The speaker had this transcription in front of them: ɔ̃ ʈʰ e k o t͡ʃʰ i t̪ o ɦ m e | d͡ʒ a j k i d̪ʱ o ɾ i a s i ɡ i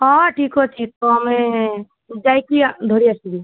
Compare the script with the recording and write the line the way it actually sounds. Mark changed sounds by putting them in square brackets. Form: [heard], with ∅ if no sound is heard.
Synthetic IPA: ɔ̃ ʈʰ [i] k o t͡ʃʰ i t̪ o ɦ m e | d͡ʒ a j k i d̪ʱ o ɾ i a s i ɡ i